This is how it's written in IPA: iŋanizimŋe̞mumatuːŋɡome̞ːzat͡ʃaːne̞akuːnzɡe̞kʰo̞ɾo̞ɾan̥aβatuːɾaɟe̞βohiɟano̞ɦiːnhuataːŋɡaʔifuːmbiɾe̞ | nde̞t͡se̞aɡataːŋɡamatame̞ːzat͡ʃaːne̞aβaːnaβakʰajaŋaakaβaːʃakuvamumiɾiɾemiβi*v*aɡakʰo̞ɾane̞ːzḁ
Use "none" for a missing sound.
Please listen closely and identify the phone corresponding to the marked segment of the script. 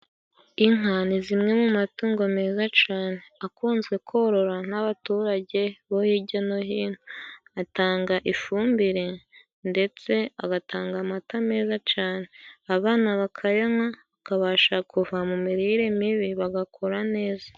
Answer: β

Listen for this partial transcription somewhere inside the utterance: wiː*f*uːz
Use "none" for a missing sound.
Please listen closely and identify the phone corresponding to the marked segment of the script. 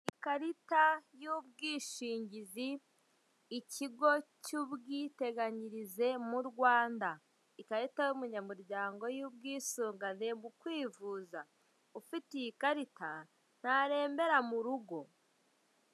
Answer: v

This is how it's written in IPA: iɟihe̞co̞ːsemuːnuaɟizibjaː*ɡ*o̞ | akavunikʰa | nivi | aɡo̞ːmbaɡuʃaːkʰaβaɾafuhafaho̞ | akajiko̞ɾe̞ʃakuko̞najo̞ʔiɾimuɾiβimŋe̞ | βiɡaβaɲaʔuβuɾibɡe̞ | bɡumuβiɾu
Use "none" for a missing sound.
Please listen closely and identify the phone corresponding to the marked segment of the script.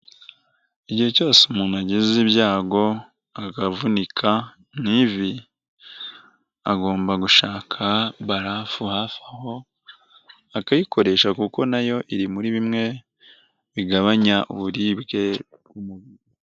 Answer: ɡ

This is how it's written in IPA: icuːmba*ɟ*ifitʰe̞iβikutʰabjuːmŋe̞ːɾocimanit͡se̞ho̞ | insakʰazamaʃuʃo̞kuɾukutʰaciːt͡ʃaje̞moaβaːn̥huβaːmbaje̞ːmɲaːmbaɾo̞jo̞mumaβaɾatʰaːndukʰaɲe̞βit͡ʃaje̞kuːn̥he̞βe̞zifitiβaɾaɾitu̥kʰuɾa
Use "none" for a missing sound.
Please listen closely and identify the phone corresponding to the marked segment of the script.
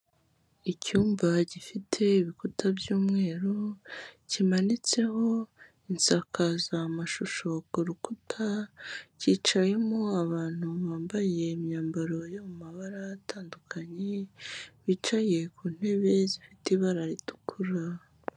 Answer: ɟ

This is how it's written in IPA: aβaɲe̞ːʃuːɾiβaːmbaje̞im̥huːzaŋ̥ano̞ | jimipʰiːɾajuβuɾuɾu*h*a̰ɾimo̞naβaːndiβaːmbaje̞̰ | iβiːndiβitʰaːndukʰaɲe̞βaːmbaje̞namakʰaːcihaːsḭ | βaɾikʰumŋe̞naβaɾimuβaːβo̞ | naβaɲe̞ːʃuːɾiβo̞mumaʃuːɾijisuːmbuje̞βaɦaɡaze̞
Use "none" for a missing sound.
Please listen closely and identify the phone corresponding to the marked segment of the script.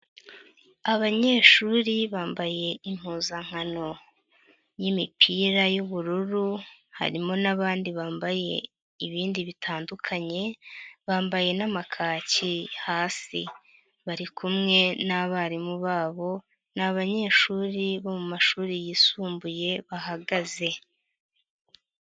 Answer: h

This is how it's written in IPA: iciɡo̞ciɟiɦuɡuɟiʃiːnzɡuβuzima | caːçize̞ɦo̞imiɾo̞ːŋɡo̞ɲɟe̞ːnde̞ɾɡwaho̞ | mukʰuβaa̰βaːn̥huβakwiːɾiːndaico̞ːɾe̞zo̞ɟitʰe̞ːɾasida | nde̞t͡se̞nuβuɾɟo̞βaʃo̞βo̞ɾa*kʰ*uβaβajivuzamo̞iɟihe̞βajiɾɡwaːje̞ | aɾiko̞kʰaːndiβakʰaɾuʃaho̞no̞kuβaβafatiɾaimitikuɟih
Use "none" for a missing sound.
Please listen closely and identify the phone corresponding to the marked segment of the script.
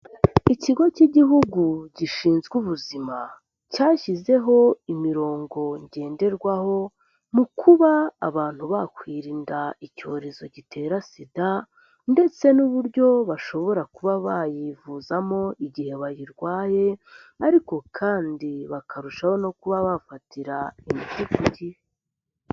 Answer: k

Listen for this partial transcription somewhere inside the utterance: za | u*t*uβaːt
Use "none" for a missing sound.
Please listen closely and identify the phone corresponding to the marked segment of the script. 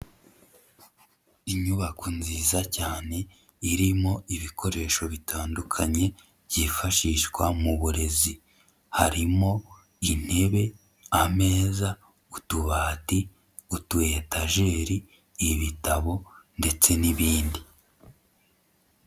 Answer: t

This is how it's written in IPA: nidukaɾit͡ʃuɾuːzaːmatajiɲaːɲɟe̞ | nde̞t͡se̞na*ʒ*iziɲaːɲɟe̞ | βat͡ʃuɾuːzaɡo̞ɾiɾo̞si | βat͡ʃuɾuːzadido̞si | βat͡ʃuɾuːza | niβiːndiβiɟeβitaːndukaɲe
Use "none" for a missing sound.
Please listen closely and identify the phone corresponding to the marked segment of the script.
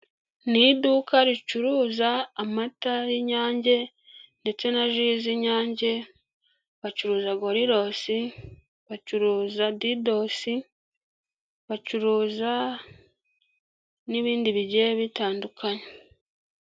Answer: ʒ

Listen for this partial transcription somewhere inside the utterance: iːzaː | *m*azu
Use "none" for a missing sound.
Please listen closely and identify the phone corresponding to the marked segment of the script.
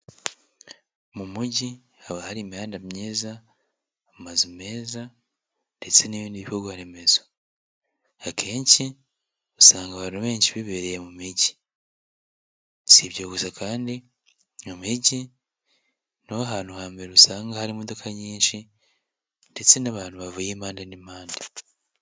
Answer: m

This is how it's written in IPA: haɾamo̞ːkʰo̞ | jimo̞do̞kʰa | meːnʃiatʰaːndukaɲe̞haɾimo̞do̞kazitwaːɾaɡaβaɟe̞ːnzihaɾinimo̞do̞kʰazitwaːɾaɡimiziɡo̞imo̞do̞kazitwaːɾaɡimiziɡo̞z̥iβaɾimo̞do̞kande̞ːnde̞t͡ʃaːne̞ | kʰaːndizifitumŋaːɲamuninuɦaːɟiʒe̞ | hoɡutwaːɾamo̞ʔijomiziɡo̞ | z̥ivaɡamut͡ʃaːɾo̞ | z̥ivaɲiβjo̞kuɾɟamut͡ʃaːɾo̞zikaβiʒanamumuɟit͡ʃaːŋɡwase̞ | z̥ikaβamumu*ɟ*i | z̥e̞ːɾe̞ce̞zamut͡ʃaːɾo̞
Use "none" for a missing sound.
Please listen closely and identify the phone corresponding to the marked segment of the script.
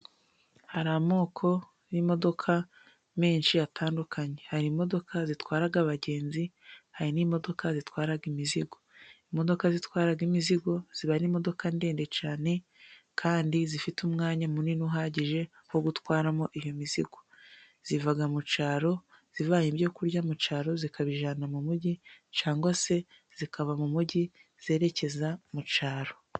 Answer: ɟ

